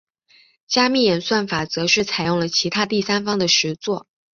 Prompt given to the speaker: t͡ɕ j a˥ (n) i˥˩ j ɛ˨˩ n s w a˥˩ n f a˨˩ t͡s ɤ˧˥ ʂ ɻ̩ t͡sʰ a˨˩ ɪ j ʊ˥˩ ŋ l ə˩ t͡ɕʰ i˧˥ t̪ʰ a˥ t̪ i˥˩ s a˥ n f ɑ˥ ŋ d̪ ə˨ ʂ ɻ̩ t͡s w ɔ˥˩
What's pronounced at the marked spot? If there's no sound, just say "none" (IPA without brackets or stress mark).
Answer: m